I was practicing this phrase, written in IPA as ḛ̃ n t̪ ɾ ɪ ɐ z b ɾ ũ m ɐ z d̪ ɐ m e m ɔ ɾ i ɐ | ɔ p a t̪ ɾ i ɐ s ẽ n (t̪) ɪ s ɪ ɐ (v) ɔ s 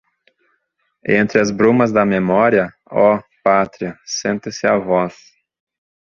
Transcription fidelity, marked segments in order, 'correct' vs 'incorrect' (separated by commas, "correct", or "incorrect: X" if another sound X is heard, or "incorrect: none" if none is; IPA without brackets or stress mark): correct, correct